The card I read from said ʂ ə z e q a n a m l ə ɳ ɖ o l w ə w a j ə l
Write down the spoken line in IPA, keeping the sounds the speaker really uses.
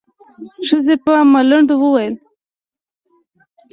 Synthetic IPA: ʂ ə z e p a m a l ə ɳ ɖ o w ə w a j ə l

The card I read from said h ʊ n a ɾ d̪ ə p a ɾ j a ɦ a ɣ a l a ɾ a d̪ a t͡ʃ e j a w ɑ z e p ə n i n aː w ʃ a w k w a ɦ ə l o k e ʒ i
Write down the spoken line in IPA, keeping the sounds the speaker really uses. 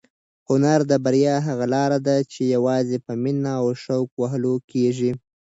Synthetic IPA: h ʊ n a ɾ d̪ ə b a ɾ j ɑ ɦ a ɣ a l ɑ ɾ a d̪ a t͡ʃ e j a w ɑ z e p ə m i n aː w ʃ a w k w a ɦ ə l o k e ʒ i

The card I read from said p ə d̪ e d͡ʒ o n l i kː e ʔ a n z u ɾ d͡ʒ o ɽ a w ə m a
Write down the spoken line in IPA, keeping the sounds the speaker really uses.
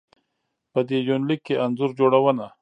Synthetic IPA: p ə d̪ e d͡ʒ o n l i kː e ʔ a n z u ɾ d͡ʒ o ɽ a w ə n a

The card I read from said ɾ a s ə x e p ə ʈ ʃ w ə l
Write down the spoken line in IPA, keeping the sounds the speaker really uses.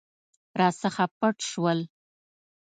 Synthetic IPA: ɾ ɑ s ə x a p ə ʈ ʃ w ə l

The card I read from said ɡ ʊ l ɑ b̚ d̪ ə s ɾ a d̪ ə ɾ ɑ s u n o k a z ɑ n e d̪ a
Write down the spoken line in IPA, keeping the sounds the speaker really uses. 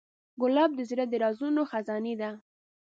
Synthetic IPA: ɡ ʊ l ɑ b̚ d̪ ə z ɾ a d̪ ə ɾ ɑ z u n o x a z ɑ n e d̪ a

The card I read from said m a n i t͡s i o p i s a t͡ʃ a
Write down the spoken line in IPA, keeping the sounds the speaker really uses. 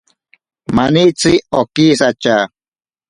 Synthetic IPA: m a n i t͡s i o k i s a t͡ʃ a

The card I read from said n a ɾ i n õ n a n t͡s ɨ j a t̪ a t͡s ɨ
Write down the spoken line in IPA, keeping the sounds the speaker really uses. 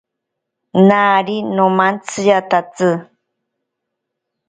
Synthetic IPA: n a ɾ i n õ m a n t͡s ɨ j a t̪ a t͡s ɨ

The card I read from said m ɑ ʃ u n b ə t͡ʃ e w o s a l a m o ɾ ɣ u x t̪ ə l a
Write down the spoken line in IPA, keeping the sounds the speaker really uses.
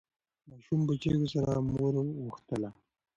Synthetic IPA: m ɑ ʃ u m b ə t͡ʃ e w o s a ɾ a m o ɾ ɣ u x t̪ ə l a

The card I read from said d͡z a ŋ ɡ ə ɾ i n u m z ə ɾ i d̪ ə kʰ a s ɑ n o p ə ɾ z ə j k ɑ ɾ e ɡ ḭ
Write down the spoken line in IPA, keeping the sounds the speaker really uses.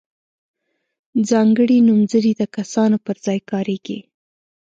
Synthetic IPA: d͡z ɑ ŋ ɡ ə ɽ i n u m z ə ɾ i d̪ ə k a s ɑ n o p ə ɾ z ɑ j k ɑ ɾ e ɡ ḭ

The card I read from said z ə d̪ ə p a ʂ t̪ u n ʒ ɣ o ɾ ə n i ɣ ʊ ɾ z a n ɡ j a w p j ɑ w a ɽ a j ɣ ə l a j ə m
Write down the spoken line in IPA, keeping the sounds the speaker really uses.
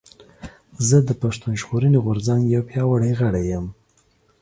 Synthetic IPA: z ə d̪ ə p a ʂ t̪ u n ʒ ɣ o ɾ ə n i ɣ ʊ ɾ z a ŋ ɡ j a w p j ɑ w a ɽ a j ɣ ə ɽ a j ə m

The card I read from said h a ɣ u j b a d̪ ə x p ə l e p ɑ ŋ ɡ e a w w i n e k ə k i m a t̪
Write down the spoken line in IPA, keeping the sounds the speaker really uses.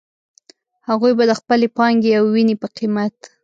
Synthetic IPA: h a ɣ u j b a d̪ ə x p ə l e p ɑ ŋ ɡ e a w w i n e p ə q i m a t̪

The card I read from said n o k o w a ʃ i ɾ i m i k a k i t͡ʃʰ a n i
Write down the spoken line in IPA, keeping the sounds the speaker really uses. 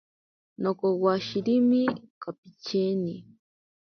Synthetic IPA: n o k o w a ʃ i ɾ i m i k a p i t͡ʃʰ e n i

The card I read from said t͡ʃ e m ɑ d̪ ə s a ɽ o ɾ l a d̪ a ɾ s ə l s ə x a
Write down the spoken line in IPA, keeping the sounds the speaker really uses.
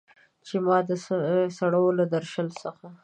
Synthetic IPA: t͡ʃ e m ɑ d̪ ə s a ɽ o l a d̪ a ɾ ʃ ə l s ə x a

